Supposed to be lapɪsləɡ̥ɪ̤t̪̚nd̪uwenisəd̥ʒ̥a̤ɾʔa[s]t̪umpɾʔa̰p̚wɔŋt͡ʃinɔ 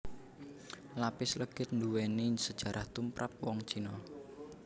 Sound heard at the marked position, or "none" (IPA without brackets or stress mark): h